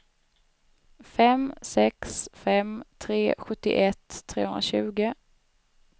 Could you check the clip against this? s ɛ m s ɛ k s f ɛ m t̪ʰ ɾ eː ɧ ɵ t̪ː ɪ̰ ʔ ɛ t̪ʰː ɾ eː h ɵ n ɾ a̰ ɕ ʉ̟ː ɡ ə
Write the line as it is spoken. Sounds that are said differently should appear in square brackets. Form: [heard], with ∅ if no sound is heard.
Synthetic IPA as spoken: [f] ɛ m s ɛ k s f ɛ m t̪ʰ ɾ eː ɧ ɵ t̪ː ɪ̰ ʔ ɛ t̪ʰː ɾ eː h ɵ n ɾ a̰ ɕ ʉ̟ː ɡ ə

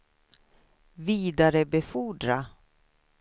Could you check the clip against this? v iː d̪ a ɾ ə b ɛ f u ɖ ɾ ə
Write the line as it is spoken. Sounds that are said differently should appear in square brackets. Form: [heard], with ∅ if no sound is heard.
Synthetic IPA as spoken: v iː d̪ a ɾ ə b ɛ f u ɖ ɾ [a]

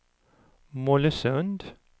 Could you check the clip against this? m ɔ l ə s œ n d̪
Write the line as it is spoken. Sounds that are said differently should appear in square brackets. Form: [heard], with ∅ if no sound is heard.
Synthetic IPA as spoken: m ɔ l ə s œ n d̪

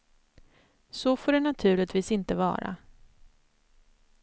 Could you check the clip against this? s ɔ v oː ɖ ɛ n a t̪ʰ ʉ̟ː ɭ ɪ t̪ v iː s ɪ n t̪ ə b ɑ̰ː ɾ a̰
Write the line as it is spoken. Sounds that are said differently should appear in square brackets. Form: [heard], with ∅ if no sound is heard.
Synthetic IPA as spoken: s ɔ [f] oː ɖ ɛ n a t̪ʰ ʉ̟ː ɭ ɪ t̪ v iː s ɪ n t̪ ə [v] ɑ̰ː ɾ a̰

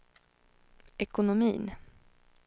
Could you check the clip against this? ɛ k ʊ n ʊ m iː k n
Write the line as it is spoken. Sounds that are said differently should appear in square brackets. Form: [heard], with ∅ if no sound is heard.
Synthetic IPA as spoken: ɛ k ʊ n ʊ m iː [∅] n

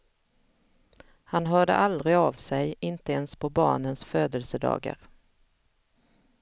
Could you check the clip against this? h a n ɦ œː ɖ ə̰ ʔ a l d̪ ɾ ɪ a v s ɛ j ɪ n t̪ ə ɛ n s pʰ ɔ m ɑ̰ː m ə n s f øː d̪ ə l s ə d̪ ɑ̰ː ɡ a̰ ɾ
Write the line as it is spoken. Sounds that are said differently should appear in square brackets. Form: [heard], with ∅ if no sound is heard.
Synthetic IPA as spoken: h a n ɦ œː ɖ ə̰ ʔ a l d̪ ɾ ɪ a v s ɛ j ɪ n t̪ ə ɛ n s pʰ ɔ [b] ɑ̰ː [ɳ] ə n s f øː d̪ ə l s ə d̪ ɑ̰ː ɡ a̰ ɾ

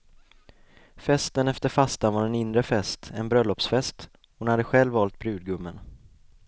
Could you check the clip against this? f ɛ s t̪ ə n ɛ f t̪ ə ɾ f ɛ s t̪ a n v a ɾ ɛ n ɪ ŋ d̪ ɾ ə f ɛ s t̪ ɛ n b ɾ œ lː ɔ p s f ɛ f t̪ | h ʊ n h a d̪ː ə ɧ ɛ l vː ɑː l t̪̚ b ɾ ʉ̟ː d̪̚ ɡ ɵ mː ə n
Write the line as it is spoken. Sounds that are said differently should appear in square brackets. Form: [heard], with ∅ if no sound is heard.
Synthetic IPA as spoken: f ɛ s t̪ ə n ɛ f t̪ ə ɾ f [a] s t̪ a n v a ɾ ɛ n ɪ [n] d̪ ɾ ə f ɛ s t̪ ɛ n b ɾ œ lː ɔ p s f ɛ [s] t̪ | h ʊ n h a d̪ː ə ɧ ɛ l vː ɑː l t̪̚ b ɾ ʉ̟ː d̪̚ ɡ ɵ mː ə n

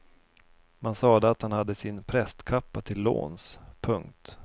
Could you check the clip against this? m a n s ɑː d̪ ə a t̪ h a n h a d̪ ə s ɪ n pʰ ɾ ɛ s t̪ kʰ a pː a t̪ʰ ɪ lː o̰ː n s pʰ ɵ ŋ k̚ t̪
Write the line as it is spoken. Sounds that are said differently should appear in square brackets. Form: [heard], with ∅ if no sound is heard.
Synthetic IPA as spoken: m a n s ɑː d̪ ə a t̪ h a n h a [d̪ː] ə s ɪ n pʰ ɾ ɛ s t̪ kʰ a pː a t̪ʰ ɪ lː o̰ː n s pʰ ɵ ŋ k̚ t̪

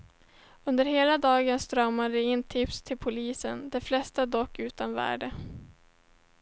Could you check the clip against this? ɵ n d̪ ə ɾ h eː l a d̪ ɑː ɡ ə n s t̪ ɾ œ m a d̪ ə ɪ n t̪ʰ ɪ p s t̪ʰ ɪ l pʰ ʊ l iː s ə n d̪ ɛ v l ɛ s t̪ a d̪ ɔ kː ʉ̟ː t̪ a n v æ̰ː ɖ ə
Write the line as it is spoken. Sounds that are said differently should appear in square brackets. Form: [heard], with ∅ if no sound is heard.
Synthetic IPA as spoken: ɵ n d̪ ə ɾ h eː l a d̪ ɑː ɡ ə n s t̪ ɾ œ m a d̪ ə ɪ n t̪ʰ ɪ p s t̪ʰ ɪ l pʰ ʊ l iː s ə n d̪ ɛ [f] l ɛ s t̪ a d̪ ɔ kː ʉ̟ː t̪ a n v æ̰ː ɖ ə

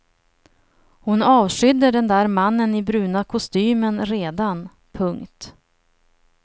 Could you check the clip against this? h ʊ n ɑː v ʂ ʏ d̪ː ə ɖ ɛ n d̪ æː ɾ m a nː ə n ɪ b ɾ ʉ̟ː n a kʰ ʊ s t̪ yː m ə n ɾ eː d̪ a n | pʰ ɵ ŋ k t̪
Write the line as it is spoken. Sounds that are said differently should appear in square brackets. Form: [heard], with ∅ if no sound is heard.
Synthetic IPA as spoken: h ʊ n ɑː v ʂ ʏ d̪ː ə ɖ ɛ n d̪ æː ɾ m a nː ə n ɪ b ɾ ʉ̟ː n a kʰ ʊ s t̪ yː m ə n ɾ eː d̪ a n | pʰ ɵ ŋ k t̪

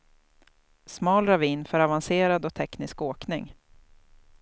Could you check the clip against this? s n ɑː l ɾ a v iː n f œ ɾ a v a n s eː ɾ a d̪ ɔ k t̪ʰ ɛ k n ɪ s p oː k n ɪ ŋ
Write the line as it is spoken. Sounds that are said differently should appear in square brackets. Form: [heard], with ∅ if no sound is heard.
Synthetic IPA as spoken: s [m] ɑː l ɾ a v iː n f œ ɾ a v a n s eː ɾ a d̪ ɔ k t̪ʰ ɛ k n ɪ s [k] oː k n ɪ ŋ

